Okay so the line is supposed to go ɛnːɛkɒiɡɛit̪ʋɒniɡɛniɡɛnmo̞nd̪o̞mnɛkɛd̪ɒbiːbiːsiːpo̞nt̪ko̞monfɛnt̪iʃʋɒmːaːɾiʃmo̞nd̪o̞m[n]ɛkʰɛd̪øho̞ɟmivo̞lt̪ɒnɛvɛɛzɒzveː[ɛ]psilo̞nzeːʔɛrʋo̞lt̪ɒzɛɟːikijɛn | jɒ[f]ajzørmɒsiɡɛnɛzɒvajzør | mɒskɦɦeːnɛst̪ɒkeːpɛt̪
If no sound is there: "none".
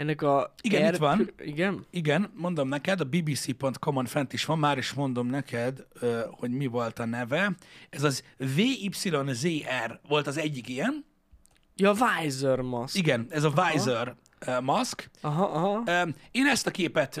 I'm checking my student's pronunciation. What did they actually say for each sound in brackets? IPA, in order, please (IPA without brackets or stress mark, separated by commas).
n, i, v